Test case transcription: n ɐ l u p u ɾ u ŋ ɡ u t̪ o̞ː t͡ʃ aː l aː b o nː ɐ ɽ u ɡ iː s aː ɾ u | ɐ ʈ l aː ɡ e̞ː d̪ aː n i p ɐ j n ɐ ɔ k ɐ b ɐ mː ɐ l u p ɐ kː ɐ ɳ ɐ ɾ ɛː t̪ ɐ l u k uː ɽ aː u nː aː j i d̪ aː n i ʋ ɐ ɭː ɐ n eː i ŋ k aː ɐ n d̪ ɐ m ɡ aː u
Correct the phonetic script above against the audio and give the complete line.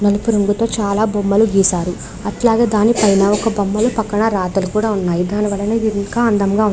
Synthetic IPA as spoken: n ɐ l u p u ɾ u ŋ ɡ u t̪ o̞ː t͡ʃ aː l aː b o mː ɐ l u ɡ iː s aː ɾ u | ɐ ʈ l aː ɡ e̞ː d̪ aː n i p ɐ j n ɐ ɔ k ɐ b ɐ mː ɐ l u p ɐ kː ɐ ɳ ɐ ɾ aː t̪ ɐ l u k uː ɽ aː u nː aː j i d̪ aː n i ʋ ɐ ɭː ɐ n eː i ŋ k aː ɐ n d̪ ɐ m ɡ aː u